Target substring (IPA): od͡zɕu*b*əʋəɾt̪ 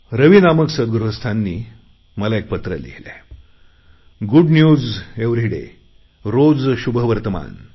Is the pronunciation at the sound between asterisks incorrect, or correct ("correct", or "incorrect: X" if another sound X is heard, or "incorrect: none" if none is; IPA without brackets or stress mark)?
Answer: correct